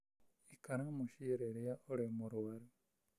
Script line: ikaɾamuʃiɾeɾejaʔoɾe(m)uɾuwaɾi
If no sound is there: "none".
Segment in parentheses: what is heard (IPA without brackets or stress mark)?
m